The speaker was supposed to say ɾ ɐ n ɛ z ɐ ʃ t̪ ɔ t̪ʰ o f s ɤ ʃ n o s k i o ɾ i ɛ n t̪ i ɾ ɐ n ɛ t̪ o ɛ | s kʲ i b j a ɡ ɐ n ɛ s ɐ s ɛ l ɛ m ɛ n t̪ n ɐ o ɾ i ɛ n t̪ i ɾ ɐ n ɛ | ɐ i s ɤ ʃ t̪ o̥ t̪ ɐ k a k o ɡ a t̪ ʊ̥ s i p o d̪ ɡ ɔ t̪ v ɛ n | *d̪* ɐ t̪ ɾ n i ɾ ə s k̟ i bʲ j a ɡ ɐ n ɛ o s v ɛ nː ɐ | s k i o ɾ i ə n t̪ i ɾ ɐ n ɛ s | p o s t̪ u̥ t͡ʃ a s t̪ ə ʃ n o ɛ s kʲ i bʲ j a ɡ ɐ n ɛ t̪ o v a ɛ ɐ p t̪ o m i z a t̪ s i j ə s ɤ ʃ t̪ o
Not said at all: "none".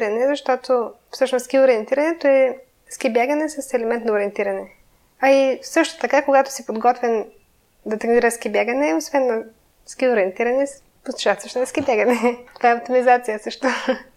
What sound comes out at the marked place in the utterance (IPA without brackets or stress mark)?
d̪